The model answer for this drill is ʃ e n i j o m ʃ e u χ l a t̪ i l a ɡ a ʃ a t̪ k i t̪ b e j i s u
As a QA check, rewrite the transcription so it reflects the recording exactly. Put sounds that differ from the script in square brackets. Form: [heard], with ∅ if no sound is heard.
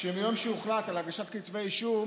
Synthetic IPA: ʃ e [m] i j o m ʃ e u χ l a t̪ [a] l a ɡ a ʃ a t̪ k i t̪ [v] e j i [ʃ] u